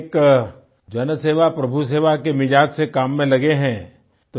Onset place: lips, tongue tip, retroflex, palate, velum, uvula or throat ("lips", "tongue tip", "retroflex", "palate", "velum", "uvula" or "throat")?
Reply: velum